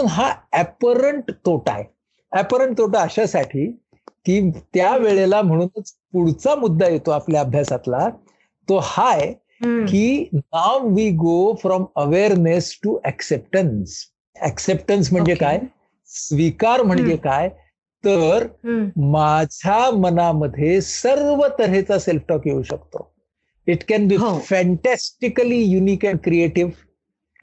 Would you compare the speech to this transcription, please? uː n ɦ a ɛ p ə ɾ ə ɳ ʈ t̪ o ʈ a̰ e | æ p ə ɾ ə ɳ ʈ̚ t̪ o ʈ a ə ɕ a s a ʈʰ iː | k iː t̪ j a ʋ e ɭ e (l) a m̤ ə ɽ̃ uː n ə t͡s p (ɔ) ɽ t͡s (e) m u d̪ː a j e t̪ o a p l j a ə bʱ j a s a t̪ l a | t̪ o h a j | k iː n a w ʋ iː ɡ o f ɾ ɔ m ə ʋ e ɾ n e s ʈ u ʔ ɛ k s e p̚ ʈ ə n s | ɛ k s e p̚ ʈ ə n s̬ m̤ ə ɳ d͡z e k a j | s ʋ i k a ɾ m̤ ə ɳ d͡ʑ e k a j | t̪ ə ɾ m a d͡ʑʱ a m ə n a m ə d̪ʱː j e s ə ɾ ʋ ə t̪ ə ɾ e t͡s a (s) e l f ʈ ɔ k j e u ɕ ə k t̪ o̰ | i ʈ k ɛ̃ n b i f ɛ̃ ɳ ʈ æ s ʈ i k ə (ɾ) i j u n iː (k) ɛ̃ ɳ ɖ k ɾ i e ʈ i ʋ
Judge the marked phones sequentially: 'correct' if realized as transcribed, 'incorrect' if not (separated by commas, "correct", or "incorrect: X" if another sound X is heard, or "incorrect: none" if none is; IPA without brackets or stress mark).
correct, incorrect: u, incorrect: a, correct, incorrect: l, correct